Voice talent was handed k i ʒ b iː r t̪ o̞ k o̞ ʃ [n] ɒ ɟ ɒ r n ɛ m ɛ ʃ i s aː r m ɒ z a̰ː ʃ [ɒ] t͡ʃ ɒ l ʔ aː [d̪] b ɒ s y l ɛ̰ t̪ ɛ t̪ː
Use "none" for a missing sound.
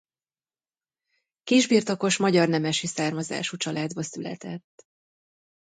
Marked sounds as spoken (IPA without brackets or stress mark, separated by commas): m, u, d̪